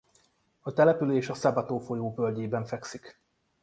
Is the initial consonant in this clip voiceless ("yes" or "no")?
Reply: yes